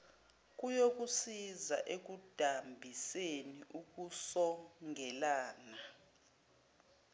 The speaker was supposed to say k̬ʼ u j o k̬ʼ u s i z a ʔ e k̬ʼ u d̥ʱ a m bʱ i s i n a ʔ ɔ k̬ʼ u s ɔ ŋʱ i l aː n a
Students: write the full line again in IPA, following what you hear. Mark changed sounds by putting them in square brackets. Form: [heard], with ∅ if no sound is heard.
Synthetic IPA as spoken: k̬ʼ u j o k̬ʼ u s i z a ʔ e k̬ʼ u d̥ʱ a m bʱ i s [e] n [i] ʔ [u] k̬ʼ u s ɔ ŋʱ [ɛ] l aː n a